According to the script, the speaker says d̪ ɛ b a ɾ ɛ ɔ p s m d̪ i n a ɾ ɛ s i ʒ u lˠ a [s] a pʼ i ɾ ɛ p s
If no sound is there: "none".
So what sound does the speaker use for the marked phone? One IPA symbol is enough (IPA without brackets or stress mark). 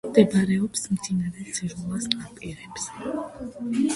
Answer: s